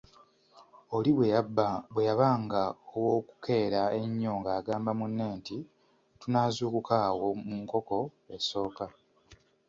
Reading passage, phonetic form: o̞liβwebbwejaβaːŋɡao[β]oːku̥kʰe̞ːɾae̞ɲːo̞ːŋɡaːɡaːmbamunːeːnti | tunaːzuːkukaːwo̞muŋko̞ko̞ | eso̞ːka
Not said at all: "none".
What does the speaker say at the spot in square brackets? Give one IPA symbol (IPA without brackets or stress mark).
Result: w